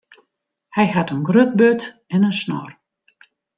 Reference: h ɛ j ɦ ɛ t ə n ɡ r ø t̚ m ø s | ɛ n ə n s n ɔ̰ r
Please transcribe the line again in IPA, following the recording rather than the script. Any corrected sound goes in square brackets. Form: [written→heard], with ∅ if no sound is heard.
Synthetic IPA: h ɛ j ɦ [ɛ→a] t ə n ɡ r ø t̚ [m→b] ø [s→t] | ɛ n ə n s n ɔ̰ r